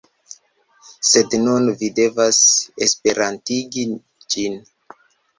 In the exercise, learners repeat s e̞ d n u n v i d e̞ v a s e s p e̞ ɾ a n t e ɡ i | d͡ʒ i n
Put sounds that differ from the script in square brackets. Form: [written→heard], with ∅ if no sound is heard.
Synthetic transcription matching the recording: s e̞ d n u n v i d e̞ v a s e s p e̞ ɾ a n t [e→i] ɡ i | d͡ʒ i n